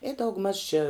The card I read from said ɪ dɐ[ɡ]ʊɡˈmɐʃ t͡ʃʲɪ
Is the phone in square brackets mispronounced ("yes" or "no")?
yes